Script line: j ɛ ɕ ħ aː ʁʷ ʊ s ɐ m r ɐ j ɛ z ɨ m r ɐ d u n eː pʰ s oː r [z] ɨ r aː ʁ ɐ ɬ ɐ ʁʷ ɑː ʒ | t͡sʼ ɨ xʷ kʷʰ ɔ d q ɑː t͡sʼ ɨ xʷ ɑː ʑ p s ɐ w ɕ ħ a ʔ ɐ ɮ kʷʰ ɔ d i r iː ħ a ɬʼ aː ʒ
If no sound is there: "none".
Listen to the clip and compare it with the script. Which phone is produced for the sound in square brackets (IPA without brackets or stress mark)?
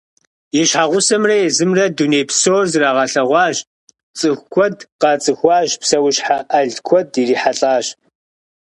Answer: z